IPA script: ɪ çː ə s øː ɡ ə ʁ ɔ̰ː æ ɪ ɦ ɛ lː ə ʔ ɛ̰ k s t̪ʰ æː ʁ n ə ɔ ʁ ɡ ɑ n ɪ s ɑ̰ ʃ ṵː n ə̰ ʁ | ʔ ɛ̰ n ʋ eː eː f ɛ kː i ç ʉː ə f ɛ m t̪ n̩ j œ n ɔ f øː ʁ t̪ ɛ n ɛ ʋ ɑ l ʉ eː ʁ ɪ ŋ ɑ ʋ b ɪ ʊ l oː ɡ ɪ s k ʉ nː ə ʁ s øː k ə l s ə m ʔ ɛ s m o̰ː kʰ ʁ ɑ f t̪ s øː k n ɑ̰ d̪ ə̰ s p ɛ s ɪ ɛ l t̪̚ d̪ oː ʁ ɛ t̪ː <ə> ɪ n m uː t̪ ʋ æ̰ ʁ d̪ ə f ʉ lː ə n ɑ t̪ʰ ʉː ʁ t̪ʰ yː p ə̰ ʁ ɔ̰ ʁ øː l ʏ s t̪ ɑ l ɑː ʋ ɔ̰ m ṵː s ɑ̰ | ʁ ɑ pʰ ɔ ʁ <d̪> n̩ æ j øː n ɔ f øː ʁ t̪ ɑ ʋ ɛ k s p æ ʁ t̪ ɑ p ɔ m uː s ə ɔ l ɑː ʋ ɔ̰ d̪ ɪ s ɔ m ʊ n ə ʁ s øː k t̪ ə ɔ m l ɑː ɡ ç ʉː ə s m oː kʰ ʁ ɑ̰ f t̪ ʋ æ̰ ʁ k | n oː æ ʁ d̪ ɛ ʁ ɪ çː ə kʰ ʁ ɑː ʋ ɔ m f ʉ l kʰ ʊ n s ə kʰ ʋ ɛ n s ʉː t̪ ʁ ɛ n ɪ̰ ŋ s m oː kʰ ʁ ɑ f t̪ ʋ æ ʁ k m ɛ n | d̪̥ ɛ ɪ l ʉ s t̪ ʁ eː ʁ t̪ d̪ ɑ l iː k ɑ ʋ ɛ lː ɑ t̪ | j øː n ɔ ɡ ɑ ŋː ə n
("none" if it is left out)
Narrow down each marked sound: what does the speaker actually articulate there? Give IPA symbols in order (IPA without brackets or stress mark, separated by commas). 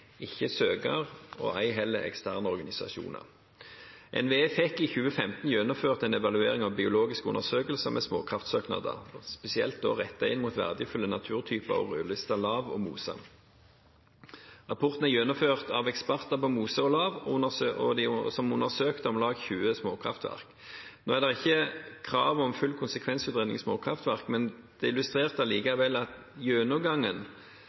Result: ɑ, t̪